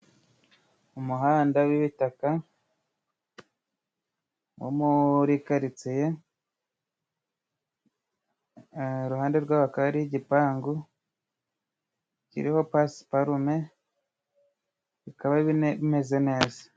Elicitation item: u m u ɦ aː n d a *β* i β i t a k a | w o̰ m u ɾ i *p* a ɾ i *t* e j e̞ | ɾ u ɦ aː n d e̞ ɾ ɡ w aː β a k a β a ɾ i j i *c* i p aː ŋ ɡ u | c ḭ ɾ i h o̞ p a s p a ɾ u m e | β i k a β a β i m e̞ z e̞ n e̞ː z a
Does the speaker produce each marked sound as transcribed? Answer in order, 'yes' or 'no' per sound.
no, no, no, no

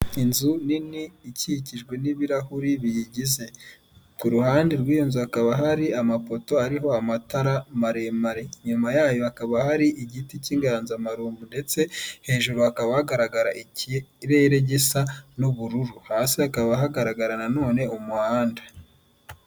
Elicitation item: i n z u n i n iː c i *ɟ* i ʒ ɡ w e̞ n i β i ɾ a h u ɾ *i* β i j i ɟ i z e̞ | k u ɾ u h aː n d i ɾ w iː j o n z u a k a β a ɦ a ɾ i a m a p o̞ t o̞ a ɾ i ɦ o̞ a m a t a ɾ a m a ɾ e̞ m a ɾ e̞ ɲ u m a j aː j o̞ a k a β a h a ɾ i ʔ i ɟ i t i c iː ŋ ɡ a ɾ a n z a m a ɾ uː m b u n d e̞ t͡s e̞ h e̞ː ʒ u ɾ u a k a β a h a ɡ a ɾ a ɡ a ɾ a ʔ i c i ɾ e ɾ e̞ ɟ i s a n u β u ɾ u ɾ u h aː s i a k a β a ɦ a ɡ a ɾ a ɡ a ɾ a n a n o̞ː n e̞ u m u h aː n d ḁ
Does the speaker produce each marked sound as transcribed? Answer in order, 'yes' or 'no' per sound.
no, yes

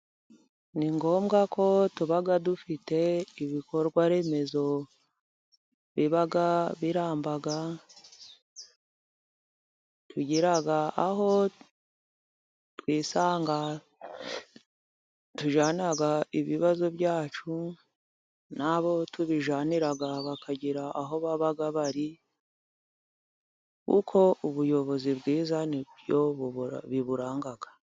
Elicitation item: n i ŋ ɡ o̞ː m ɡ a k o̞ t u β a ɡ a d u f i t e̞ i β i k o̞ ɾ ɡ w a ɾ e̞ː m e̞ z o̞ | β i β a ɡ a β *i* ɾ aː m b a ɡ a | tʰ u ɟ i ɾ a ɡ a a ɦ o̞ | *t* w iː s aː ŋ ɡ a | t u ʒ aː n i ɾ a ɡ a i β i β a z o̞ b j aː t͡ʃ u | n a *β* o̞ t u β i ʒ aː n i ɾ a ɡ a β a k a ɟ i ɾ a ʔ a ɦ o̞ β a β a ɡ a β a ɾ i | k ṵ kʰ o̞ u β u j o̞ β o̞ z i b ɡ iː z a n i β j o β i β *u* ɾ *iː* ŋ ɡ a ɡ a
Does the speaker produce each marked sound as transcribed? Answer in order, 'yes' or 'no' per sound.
yes, yes, yes, yes, no

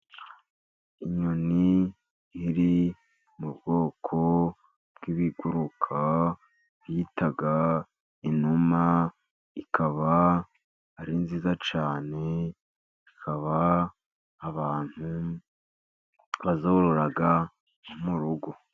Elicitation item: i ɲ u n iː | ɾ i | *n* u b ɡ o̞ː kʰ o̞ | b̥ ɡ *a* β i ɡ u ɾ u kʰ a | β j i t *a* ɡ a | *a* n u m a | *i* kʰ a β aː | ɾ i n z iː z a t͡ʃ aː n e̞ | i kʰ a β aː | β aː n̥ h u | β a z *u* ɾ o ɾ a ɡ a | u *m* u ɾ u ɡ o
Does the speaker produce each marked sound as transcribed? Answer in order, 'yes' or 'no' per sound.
no, no, yes, no, yes, no, yes

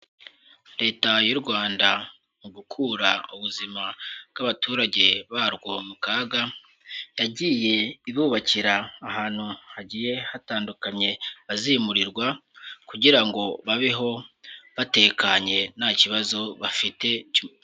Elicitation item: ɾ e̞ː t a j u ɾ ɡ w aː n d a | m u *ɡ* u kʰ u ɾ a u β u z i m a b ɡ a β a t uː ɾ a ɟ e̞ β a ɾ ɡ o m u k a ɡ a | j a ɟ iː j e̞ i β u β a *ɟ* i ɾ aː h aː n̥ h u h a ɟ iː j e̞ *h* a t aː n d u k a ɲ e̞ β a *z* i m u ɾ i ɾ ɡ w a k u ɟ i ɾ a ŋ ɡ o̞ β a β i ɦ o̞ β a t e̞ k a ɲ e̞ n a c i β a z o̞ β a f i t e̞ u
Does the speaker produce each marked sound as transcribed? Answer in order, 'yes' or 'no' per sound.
yes, no, yes, yes

